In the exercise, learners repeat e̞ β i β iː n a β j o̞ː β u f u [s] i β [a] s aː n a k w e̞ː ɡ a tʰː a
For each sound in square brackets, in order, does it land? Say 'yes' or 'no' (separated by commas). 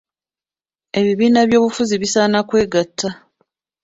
no, no